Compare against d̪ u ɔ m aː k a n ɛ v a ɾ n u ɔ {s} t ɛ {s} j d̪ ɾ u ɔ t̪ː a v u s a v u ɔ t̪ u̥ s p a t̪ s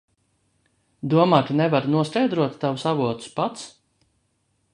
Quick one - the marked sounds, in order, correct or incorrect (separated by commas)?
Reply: correct, incorrect